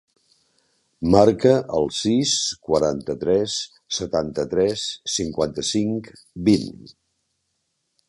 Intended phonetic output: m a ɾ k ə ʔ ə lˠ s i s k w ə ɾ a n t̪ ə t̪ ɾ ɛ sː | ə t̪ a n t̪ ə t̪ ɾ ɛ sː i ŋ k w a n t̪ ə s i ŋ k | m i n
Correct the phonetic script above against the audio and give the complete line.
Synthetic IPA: m a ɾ k ə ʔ ə lˠ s i s k w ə ɾ a n t̪ ə t̪ ɾ ɛ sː | ə t̪ a n t̪ ə t̪ ɾ ɛ sː i ŋ k w a n t̪ ə s i ŋ k | b i n